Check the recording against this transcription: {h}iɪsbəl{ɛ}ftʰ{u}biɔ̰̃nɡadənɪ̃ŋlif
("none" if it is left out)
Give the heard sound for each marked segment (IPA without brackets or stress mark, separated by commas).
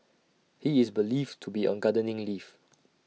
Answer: h, i, u